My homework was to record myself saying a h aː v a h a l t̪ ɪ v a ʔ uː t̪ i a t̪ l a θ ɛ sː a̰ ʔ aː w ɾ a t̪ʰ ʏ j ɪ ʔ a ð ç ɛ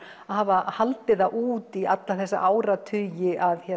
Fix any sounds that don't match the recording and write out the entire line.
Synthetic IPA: a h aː v a h a l t̪ ɪ ð a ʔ uː t̪ i a t̪ l a θ ɛ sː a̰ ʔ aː w ɾ a t̪ʰ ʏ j ɪ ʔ a ð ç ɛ